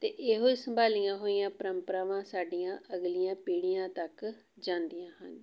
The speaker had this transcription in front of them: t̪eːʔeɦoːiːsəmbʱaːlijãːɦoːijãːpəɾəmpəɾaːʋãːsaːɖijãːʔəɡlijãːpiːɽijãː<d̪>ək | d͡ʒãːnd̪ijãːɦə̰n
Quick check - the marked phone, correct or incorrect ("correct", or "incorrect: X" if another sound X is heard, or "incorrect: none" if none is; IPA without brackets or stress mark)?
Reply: incorrect: t̪